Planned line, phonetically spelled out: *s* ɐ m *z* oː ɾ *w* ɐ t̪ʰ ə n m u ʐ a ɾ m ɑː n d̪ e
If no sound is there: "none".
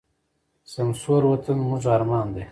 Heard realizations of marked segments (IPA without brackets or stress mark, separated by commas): s, s, w